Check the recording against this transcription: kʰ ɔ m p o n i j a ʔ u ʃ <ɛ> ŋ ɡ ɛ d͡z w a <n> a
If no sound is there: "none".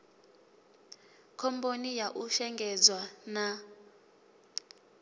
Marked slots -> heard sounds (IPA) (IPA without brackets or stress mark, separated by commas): ɛ, n